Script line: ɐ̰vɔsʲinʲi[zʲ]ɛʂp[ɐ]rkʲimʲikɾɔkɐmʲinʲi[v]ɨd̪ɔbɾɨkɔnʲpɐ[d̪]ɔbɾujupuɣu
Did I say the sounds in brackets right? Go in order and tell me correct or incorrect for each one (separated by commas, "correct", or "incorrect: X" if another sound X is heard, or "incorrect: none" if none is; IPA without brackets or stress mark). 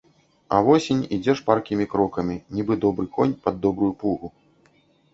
incorrect: d͡zʲ, incorrect: a, incorrect: b, incorrect: d̪ː